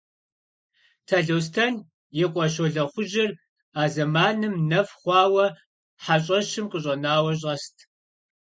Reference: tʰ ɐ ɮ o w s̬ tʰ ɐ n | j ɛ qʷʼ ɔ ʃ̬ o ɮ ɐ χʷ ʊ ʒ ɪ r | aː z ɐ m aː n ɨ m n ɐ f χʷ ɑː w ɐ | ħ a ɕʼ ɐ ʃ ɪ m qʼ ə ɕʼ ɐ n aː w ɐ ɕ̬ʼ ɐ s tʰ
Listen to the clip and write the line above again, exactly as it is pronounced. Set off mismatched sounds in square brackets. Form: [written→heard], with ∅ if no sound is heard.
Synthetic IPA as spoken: tʰ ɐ ɮ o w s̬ tʰ ɐ n | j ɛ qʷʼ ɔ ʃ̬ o ɮ ɐ χʷ ʊ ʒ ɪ r | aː z ɐ m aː n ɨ m n ɐ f χʷ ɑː w ɐ | ħ a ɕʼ ɐ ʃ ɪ m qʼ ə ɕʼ ɐ n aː w ɐ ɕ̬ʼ ɐ s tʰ